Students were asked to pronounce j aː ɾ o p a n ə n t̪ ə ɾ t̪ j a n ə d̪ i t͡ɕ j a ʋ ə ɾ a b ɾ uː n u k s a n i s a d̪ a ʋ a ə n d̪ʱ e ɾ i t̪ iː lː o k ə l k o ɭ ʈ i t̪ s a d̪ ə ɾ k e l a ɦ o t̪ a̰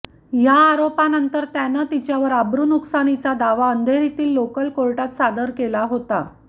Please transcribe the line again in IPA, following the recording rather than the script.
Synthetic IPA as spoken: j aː ɾ o p a n ə n t̪ ə ɾ t̪ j a n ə t̪ i t͡ɕ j a ʋ ə ɾ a b ɾ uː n u k s a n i t͡s a d̪ a ʋ a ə n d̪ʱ e ɾ i t̪ iː lː o k ə l k o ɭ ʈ a t̪ s a d̪ ə ɾ k e l a ɦ o t̪ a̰